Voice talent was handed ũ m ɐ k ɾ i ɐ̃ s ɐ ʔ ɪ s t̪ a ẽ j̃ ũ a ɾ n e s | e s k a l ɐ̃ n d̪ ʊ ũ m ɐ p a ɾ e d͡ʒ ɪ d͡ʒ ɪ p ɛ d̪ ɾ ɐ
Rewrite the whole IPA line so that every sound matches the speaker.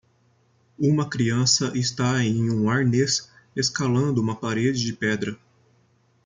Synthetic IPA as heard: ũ m ɐ k ɾ i ɐ̃ s ɐ ʔ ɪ s t̪ a ẽ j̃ ũ a ɾ n e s | e s k a l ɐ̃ n d̪ ʊ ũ m ɐ p a ɾ e d͡ʒ ɪ d͡ʒ ɪ p ɛ d̪ ɾ ɐ